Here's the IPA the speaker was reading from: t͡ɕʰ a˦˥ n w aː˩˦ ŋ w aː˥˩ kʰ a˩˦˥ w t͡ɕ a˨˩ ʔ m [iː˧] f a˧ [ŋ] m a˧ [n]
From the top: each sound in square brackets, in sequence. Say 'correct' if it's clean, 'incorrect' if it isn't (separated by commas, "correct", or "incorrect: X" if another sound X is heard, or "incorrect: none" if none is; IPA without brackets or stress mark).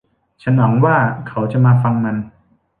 incorrect: aː˧, correct, correct